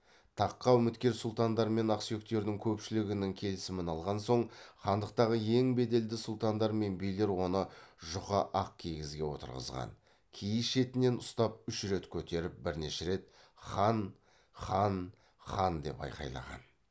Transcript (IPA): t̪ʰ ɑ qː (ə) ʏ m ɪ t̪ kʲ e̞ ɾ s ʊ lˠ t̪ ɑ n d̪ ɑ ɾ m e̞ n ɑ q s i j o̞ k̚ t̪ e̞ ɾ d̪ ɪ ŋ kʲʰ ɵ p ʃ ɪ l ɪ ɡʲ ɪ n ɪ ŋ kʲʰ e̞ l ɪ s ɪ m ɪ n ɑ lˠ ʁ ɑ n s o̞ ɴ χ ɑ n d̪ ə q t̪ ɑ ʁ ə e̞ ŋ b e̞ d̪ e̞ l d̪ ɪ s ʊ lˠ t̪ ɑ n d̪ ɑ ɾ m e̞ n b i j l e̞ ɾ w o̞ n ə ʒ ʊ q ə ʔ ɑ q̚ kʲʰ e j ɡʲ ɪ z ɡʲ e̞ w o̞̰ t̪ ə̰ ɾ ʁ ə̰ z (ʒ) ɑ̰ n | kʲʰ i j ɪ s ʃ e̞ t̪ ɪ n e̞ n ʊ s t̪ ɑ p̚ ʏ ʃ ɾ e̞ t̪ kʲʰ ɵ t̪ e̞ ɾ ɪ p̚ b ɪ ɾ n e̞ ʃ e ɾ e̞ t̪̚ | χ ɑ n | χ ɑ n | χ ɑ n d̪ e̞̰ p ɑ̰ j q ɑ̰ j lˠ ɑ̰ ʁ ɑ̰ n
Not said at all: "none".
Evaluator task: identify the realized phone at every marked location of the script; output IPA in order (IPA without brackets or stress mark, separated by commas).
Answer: ɑ, ʁ